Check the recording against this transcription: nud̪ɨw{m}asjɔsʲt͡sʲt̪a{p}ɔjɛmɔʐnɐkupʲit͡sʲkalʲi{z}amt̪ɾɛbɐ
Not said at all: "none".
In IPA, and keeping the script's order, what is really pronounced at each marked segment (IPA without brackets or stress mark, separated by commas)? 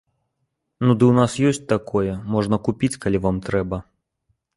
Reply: n, k, v